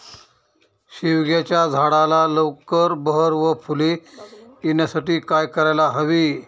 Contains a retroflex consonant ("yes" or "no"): yes